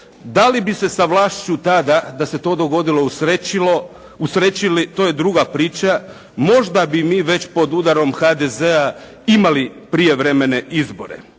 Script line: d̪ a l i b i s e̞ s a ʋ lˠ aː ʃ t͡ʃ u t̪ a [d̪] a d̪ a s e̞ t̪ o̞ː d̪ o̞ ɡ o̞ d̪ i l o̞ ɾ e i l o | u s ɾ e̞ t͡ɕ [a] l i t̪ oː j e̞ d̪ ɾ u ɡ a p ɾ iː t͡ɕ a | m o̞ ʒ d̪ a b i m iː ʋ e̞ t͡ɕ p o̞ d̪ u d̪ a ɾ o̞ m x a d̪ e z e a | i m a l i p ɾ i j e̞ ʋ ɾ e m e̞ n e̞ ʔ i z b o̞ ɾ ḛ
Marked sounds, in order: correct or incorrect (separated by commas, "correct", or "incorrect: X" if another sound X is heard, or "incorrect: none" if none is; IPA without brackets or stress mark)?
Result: correct, incorrect: i